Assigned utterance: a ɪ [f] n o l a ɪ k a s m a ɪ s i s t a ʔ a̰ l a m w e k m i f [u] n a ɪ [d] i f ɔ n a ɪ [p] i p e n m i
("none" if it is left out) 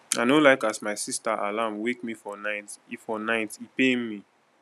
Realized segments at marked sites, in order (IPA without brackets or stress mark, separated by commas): none, ɔ, t, t